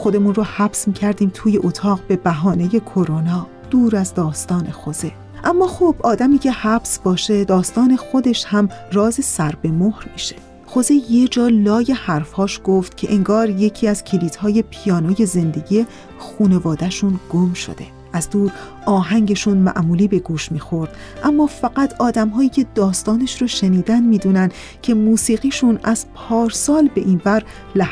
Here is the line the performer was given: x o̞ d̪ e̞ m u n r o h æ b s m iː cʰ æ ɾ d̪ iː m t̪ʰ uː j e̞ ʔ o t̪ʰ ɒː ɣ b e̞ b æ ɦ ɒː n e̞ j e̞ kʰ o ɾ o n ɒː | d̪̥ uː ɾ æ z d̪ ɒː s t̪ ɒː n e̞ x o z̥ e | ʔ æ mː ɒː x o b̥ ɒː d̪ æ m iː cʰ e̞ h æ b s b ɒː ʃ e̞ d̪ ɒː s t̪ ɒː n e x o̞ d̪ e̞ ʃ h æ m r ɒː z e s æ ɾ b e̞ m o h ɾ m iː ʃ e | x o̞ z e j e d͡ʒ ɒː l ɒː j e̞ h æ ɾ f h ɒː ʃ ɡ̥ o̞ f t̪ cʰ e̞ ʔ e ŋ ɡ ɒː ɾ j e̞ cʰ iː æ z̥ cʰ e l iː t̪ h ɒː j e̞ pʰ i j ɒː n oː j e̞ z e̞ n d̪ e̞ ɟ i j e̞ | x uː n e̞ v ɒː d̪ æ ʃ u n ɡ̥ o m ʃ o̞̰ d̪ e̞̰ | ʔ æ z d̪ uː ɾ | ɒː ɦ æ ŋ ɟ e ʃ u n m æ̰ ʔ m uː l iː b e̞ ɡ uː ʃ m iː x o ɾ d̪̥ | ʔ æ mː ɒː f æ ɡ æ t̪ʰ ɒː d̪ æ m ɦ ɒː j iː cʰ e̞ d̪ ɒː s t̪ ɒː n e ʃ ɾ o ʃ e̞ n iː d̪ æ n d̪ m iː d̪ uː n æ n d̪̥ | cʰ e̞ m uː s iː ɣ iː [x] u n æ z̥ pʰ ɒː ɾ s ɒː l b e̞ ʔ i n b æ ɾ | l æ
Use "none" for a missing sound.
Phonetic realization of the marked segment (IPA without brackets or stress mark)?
ʃ